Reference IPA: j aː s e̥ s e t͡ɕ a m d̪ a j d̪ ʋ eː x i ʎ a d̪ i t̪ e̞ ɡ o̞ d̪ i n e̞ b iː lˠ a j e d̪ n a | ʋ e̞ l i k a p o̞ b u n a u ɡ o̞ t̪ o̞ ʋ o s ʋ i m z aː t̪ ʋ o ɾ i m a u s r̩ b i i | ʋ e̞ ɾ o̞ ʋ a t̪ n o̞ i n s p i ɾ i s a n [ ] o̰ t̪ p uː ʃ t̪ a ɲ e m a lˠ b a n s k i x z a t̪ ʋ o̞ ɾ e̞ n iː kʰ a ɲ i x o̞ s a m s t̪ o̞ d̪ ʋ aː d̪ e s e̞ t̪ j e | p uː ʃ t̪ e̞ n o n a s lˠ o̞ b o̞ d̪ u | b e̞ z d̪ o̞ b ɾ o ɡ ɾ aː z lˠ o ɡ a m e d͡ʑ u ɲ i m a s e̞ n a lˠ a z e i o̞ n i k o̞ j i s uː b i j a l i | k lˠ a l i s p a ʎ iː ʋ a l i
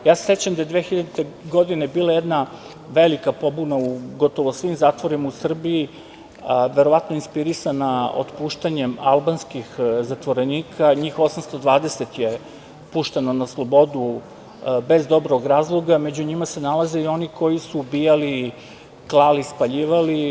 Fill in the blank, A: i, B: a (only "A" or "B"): B